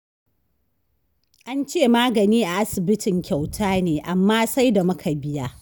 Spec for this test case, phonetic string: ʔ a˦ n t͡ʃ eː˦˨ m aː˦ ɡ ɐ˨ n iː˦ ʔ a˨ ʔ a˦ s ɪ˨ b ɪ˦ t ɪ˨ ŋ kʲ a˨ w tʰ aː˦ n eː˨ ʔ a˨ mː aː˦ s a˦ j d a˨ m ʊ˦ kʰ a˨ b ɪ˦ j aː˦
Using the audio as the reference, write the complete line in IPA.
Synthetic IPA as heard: ʔ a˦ n t͡ʃ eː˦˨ m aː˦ ɡ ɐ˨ n iː˦ ʔ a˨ ʔ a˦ s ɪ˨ b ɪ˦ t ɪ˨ ŋ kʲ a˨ w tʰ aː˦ n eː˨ ʔ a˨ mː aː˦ s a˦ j d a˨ m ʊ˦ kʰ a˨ b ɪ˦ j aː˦